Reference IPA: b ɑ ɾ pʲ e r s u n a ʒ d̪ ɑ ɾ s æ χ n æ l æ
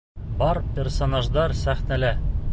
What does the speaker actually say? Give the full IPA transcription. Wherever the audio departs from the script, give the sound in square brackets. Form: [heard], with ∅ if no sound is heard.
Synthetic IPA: b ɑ ɾ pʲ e r s [o] n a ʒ d̪ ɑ ɾ s æ χ n æ l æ